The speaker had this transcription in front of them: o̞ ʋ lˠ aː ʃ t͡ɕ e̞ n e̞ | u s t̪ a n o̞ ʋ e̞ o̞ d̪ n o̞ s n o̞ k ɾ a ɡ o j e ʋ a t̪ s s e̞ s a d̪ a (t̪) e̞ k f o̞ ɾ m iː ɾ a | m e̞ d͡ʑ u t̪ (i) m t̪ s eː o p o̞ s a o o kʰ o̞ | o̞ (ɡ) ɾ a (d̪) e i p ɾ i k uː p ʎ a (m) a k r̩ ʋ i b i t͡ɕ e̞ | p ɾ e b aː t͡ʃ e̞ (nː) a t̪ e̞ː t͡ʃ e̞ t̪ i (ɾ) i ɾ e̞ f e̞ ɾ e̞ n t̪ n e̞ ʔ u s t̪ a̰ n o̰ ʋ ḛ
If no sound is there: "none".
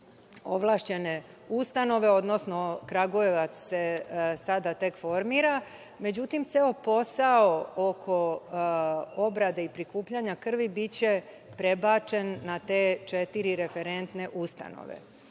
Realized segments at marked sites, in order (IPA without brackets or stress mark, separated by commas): t̪, i, b, d̪, ɲ, nː, ɾ